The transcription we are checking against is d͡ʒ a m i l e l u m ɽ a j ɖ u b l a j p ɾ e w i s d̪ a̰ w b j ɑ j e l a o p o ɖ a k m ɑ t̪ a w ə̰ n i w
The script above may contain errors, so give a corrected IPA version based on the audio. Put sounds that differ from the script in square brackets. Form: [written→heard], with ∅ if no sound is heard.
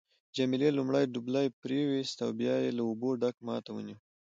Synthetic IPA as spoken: d͡ʒ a m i l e l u m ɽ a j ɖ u b l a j p ɾ e w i s [d̪→t̪] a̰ w b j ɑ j e l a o [p→b] o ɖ a k m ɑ t̪ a w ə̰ n i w